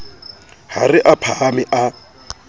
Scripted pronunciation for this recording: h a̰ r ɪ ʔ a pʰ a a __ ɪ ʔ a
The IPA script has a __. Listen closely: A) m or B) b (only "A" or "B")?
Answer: A